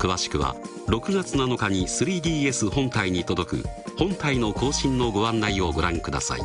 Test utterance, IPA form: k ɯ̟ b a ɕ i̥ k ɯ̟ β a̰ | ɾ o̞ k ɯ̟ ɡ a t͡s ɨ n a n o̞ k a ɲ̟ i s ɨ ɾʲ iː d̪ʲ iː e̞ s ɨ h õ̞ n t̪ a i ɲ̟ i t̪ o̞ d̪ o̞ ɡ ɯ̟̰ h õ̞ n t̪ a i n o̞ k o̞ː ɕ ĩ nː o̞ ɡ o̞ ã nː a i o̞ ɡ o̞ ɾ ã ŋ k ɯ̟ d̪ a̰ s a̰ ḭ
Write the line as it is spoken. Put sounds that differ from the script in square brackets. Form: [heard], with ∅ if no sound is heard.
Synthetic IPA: k ɯ̟ [β] a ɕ i̥ k ɯ̟ β a̰ | ɾ o̞ k ɯ̟ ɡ a t͡s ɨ n a n o̞ k a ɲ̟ i s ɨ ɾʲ iː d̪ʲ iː e̞ s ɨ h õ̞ n t̪ a i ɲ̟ i t̪ o̞ d̪ o̞ [k] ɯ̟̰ h õ̞ n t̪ a i n o̞ k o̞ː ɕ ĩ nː o̞ ɡ o̞ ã nː a i o̞ ɡ o̞ ɾ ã ŋ k ɯ̟ d̪ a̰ s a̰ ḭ